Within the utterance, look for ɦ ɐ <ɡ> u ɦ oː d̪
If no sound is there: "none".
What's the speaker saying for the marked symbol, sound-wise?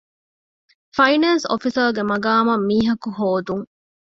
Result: k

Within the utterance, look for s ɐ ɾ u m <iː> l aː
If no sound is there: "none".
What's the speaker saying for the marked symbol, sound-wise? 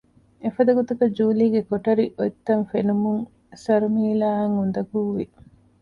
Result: iː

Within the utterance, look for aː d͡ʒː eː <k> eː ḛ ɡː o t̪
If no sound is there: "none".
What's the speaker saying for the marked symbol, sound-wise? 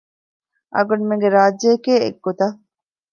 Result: k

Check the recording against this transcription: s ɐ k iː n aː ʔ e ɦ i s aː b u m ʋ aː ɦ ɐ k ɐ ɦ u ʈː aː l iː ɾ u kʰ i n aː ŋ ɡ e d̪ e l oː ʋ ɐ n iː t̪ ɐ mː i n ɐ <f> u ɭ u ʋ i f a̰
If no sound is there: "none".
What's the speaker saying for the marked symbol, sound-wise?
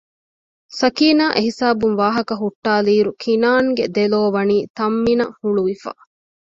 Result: h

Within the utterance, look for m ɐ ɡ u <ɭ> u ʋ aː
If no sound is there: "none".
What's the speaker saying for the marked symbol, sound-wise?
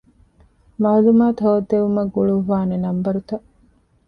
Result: ɭ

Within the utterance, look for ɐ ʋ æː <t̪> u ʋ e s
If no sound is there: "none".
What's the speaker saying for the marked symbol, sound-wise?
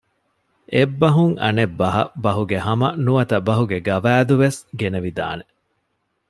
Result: d̪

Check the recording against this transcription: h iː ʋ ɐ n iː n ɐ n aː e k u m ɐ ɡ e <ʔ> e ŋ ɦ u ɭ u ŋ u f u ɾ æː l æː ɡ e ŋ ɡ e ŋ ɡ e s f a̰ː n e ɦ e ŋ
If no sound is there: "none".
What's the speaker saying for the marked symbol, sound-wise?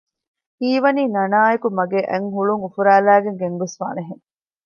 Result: ʔ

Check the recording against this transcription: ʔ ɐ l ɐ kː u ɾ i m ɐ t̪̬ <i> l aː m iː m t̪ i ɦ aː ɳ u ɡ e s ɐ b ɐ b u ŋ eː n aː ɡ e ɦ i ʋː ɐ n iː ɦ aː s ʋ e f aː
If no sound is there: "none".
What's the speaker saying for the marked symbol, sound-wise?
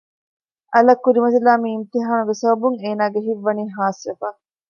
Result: i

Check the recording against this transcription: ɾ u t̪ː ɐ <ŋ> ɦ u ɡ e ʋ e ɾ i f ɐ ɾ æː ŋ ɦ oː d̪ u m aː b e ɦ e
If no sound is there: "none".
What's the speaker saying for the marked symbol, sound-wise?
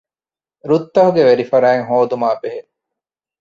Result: none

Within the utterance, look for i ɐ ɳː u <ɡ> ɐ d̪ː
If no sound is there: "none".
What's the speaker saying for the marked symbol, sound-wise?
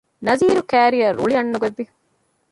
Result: ɡ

